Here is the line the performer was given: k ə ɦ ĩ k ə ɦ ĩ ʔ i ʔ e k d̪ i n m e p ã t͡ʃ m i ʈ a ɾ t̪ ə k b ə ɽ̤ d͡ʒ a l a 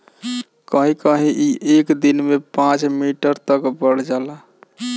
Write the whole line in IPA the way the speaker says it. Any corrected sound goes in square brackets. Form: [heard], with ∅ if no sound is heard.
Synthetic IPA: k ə ɦ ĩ k ə ɦ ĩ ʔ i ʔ e k d̪ i n m e p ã t͡ʃ m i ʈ [ə] ɾ t̪ ə k b ə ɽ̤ d͡ʒ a l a